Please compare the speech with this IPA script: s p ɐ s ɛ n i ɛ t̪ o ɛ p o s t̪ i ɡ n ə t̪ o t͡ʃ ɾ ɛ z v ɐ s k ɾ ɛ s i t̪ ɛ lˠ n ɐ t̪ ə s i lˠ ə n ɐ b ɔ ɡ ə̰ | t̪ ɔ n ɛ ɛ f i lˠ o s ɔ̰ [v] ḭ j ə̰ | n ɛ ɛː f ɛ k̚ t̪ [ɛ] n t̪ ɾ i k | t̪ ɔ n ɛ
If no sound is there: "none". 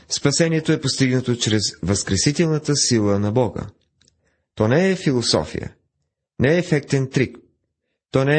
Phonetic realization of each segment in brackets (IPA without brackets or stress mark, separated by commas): f, ɛ